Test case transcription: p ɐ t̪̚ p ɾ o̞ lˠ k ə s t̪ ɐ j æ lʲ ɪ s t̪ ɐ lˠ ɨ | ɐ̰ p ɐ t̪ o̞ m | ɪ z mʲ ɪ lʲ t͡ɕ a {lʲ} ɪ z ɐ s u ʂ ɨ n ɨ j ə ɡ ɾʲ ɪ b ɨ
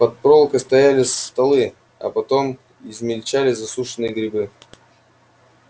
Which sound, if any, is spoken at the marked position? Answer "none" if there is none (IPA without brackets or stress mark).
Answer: lʲ